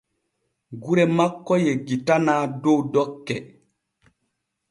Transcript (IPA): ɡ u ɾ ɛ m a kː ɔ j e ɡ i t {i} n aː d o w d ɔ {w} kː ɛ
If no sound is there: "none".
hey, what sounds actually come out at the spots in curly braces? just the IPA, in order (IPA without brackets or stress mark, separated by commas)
a, none